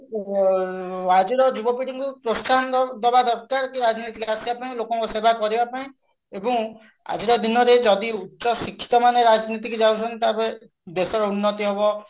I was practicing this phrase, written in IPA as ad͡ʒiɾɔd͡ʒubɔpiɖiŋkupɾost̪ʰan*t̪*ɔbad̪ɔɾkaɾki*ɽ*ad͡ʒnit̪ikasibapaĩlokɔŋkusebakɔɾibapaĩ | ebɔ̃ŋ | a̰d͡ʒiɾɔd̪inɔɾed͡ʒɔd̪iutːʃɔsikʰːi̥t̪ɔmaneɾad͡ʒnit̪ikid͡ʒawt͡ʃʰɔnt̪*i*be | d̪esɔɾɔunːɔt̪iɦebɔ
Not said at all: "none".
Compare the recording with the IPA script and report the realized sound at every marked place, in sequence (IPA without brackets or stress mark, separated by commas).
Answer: d̪, ɾ, a